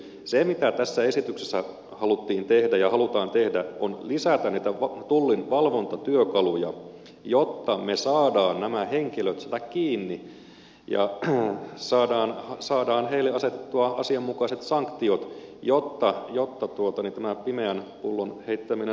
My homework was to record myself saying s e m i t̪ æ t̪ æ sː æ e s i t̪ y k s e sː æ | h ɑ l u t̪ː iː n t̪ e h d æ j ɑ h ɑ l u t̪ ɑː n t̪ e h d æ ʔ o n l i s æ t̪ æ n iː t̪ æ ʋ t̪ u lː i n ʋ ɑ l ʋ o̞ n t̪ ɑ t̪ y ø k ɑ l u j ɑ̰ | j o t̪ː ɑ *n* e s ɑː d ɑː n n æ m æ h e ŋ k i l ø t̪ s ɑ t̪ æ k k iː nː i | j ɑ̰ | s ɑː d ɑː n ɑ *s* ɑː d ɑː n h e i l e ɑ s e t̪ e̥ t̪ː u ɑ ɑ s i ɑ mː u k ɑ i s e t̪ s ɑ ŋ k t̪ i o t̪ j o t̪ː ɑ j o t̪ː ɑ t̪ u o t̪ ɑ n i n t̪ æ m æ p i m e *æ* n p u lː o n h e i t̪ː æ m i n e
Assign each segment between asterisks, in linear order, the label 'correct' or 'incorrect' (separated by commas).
incorrect, correct, correct